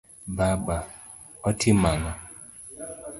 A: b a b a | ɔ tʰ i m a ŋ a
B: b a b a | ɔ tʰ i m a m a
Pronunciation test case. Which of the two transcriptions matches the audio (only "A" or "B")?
A